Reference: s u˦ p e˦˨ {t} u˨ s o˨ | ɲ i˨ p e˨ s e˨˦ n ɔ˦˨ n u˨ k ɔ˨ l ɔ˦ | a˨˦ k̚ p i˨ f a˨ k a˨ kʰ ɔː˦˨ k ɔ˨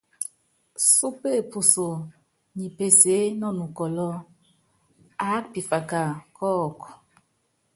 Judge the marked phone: incorrect: p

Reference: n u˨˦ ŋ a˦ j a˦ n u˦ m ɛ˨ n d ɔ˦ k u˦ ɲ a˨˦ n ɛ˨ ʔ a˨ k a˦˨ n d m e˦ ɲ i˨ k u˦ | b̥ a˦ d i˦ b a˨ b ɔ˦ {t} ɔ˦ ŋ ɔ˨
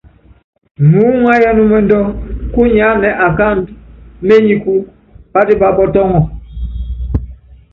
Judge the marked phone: correct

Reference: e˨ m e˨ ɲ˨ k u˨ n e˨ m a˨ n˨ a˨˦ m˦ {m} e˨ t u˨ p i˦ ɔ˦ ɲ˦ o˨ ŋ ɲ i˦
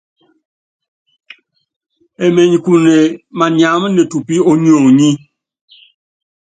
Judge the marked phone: incorrect: n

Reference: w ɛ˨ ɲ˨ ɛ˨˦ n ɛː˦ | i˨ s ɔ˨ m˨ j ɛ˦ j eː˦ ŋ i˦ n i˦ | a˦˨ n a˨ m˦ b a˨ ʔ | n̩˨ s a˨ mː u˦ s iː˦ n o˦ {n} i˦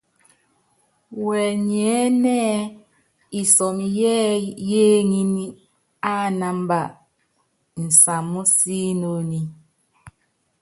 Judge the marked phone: correct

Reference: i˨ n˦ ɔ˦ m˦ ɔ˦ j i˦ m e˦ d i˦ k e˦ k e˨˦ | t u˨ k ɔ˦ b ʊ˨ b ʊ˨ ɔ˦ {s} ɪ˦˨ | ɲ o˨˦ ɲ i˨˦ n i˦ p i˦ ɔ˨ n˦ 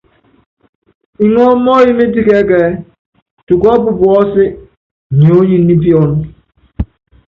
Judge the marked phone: correct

